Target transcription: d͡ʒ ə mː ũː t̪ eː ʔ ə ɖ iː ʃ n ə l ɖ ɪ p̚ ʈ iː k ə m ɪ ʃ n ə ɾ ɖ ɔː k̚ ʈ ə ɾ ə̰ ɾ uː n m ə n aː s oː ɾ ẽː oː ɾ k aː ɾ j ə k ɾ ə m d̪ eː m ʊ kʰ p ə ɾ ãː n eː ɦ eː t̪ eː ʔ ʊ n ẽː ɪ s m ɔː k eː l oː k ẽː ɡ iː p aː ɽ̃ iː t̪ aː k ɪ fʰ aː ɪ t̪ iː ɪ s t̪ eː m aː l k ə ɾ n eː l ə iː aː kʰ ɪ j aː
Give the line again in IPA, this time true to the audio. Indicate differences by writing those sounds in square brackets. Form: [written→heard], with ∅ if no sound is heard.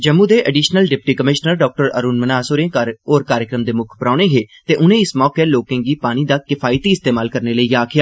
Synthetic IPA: d͡ʒ ə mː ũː [t̪→d̪] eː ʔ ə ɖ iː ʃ n ə l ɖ ɪ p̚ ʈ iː k ə m ɪ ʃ n ə ɾ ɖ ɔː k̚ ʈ ə ɾ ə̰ ɾ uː n m ə n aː s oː ɾ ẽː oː ɾ k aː ɾ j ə k ɾ ə m d̪ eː m ʊ kʰ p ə ɾ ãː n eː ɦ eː t̪ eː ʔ ʊ n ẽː ɪ s m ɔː k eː l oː k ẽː ɡ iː p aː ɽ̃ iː [t̪→d̪] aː k ɪ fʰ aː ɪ t̪ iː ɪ s t̪ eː m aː l k ə ɾ n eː l ə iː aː kʰ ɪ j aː